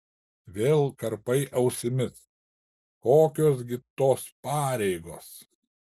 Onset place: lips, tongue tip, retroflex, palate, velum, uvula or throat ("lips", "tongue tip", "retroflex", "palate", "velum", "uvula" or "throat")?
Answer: lips